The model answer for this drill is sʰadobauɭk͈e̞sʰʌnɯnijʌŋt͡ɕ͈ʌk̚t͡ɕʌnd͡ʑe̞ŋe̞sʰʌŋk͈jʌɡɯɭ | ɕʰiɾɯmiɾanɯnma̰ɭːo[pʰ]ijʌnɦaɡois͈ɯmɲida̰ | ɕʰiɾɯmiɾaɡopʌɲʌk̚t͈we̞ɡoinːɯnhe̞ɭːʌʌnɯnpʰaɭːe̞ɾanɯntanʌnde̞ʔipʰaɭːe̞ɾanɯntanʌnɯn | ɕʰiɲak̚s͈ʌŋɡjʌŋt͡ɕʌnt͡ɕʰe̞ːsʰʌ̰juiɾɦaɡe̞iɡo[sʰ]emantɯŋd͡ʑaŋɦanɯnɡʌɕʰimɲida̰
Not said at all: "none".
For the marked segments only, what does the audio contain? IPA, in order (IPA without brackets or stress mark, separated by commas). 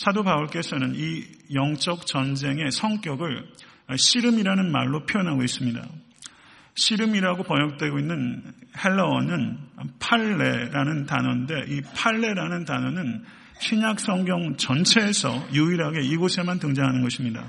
pʰ, sʰ